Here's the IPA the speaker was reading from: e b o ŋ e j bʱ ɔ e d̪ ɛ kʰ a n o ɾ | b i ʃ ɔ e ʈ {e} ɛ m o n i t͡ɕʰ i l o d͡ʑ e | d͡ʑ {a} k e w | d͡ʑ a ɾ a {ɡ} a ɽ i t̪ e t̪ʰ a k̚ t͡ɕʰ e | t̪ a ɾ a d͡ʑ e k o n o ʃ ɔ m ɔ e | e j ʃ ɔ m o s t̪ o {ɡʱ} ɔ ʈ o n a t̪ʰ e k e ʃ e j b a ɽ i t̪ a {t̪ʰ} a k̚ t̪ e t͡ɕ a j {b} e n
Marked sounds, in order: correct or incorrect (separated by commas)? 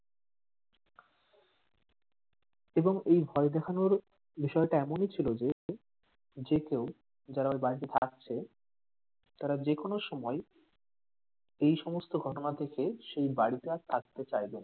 incorrect, incorrect, incorrect, correct, correct, correct